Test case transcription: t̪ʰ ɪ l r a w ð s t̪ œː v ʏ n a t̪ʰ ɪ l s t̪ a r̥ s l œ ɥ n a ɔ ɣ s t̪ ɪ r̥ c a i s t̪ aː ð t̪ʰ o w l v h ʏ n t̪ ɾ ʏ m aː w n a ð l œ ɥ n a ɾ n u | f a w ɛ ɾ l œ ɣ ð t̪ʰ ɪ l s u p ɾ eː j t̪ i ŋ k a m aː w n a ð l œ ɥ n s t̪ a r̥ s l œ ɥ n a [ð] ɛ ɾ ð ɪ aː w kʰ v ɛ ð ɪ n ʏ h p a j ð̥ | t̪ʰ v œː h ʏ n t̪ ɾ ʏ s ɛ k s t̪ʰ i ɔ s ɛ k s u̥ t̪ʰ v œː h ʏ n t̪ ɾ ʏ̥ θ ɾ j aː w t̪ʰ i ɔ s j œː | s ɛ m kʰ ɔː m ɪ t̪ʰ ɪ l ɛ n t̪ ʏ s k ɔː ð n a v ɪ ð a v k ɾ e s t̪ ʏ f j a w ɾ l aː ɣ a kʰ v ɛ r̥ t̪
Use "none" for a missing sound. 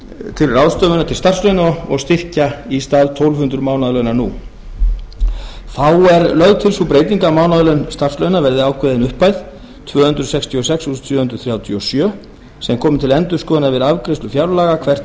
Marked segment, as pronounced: v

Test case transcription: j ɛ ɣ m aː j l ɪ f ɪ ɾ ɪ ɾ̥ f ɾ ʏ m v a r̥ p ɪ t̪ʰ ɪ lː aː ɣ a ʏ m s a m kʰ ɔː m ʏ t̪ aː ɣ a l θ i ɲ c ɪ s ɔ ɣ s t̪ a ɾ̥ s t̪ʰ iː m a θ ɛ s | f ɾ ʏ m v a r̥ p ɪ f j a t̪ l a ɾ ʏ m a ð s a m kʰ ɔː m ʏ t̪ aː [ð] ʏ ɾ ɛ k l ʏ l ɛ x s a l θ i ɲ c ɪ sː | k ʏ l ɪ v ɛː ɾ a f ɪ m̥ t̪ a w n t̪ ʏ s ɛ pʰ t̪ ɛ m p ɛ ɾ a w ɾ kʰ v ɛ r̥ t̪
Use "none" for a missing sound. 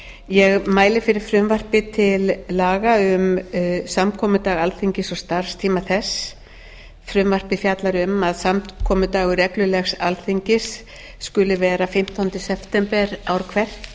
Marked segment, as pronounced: ɣ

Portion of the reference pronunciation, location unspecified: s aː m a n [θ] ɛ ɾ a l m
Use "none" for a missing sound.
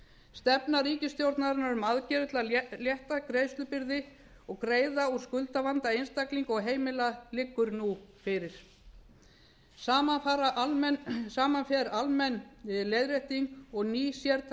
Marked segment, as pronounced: f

